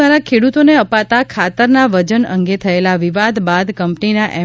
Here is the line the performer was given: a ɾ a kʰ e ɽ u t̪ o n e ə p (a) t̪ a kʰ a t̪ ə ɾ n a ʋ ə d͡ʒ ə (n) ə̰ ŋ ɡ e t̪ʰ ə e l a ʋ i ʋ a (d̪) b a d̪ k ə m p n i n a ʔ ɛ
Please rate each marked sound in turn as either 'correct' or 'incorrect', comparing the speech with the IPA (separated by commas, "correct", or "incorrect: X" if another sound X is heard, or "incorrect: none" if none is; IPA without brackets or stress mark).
correct, correct, correct